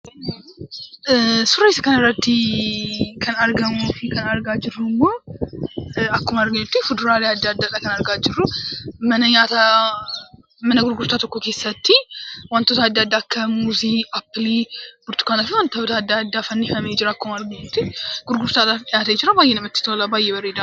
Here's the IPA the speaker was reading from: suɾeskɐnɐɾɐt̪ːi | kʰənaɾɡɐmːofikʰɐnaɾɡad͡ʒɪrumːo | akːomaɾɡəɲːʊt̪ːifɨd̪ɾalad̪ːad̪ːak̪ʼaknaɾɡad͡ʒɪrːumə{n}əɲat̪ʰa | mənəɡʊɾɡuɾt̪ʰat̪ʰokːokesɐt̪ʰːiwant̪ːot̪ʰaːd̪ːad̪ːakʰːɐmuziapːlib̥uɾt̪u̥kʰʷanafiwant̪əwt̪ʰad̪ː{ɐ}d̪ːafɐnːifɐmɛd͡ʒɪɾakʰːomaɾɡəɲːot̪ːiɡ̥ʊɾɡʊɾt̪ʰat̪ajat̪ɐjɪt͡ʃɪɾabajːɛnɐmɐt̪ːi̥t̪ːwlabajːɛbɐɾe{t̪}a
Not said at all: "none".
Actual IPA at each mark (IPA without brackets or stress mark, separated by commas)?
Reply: n, a, d̪